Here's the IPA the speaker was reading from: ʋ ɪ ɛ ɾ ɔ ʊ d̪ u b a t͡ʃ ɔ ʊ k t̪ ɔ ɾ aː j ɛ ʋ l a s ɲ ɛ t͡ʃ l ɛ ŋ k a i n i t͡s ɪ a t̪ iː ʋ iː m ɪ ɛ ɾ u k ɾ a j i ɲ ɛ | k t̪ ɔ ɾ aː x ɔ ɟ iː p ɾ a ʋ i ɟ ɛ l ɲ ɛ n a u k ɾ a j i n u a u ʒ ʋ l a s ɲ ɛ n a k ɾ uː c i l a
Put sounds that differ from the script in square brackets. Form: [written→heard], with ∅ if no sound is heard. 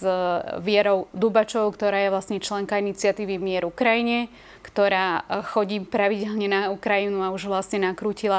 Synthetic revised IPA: ʋ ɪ ɛ ɾ ɔ ʊ d̪ u b a t͡ʃ ɔ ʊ k t̪ ɔ ɾ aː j ɛ ʋ l a s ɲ ɛ t͡ʃ l ɛ ŋ k a i n i t͡s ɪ a t̪ iː ʋ [iː→i] m ɪ ɛ ɾ u k ɾ a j i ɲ ɛ | k t̪ ɔ ɾ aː x ɔ ɟ iː p ɾ a ʋ i ɟ ɛ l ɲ ɛ n a u k ɾ a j i n u a u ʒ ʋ l a s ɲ ɛ n a k ɾ uː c i l a